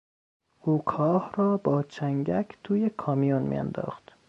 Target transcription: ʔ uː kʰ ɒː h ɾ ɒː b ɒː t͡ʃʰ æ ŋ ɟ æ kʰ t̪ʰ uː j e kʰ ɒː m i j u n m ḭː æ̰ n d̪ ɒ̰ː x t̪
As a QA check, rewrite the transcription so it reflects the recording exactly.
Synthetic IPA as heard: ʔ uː kʰ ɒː h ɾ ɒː b ɒː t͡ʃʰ æ ŋ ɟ æ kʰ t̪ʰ uː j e kʰ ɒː m i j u n m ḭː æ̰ n d̪ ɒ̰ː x t̪